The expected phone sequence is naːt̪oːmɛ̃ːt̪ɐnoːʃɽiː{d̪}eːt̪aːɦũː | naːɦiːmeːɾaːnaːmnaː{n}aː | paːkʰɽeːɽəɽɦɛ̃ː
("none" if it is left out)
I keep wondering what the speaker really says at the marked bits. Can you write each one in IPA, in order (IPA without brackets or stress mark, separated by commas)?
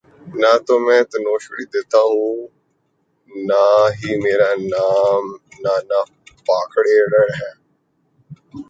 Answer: d̪, n